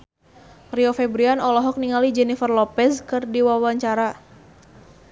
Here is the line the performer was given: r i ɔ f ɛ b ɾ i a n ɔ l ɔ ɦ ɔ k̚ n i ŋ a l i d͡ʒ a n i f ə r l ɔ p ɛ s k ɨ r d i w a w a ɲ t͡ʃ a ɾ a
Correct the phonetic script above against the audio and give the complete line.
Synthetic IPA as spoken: r i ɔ f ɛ b ɾ i a n ɔ l ɔ ɦ ɔ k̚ n i ŋ a l i d͡ʒ ɛ n i f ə r l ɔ p ɛ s k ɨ r d i w a w a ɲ t͡ʃ a ɾ a